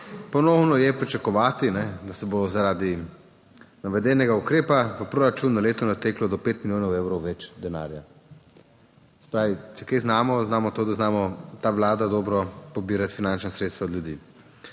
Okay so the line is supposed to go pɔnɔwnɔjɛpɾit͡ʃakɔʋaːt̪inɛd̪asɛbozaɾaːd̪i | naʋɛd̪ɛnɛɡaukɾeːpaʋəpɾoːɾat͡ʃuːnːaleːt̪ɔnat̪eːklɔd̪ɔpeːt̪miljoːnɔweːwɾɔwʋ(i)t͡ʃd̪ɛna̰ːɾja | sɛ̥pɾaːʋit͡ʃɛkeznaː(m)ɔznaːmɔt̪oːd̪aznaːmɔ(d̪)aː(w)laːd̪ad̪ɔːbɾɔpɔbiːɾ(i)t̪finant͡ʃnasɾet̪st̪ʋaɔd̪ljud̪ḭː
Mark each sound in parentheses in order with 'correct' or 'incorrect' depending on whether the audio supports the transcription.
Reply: incorrect, correct, incorrect, incorrect, incorrect

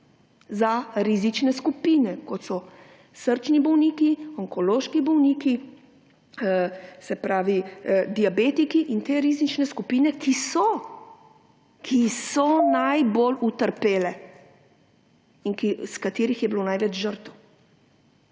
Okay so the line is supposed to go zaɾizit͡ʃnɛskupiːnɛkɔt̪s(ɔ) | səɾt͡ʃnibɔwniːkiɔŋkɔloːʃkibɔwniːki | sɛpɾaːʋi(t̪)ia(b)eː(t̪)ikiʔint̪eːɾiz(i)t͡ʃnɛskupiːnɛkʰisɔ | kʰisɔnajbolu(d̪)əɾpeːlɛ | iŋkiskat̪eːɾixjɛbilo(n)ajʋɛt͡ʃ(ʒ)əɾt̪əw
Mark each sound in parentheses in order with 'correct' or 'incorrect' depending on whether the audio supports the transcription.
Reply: correct, incorrect, correct, correct, correct, incorrect, correct, correct

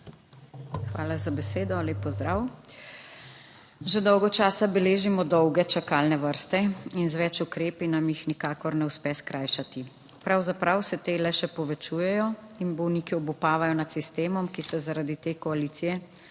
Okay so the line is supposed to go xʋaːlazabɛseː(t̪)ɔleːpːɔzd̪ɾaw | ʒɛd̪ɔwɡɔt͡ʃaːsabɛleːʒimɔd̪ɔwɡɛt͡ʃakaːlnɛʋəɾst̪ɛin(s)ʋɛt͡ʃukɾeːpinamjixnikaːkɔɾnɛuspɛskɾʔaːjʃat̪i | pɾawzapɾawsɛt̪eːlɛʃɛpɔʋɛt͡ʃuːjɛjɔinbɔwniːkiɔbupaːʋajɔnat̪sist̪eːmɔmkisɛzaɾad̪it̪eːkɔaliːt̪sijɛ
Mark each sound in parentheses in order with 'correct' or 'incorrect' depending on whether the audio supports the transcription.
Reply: incorrect, incorrect

